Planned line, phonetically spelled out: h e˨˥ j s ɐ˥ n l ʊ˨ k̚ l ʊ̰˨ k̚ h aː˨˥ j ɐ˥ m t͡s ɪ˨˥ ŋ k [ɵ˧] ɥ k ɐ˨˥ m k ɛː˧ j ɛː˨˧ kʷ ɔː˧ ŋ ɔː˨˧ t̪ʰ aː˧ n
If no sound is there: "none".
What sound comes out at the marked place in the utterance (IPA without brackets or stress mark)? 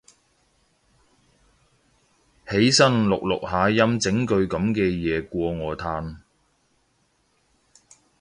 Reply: ɵ˧